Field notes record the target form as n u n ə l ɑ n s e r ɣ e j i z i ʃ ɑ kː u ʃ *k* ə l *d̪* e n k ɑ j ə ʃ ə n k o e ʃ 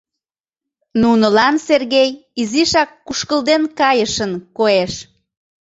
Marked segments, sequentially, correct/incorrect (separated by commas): correct, correct